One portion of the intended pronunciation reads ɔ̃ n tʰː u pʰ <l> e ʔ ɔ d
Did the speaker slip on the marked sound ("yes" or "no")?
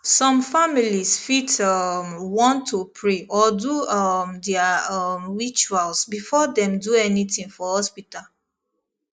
yes